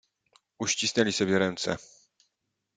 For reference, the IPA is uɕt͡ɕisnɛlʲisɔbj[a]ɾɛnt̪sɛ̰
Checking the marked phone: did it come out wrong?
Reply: yes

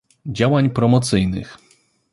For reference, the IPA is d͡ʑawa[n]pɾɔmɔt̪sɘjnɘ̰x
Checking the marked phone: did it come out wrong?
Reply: yes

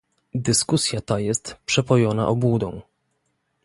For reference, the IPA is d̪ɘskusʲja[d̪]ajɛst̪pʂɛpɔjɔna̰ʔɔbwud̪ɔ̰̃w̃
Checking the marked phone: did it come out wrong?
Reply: yes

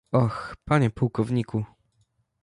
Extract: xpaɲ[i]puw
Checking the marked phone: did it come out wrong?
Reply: yes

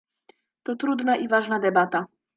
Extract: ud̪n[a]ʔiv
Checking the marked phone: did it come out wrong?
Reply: no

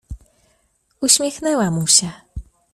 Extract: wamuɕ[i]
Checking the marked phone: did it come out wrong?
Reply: yes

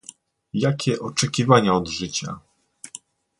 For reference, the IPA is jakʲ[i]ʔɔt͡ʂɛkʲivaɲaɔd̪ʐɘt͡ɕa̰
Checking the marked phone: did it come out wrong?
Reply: yes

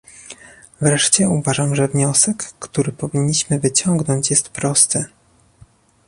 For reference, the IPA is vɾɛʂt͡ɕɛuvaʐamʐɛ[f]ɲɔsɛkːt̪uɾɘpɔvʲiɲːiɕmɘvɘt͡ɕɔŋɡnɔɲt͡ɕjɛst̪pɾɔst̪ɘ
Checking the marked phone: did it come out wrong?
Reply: yes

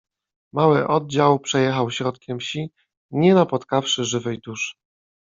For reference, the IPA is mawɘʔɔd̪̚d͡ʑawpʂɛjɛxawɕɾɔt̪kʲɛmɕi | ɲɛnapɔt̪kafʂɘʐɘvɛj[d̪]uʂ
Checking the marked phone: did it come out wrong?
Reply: no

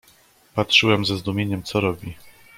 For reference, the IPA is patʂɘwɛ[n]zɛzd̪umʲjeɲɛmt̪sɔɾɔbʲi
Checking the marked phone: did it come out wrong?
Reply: yes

